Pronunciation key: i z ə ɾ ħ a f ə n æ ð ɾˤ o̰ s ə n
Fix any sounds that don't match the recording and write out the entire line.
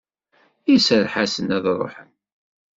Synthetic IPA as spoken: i s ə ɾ ħ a s ə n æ ð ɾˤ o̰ ħ ə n